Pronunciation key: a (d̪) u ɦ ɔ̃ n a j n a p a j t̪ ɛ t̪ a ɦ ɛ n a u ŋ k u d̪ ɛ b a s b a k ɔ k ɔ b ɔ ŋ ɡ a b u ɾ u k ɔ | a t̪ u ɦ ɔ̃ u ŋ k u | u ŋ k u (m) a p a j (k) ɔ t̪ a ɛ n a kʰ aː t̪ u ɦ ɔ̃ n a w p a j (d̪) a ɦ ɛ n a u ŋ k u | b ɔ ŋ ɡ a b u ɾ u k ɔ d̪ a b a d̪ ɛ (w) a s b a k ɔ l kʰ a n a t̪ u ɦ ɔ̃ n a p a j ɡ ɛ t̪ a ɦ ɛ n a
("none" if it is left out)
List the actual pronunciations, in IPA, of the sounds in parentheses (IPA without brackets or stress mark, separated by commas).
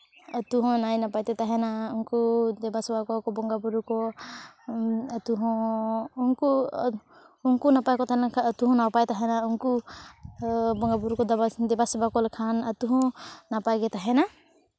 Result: t̪, n, k, t̪, b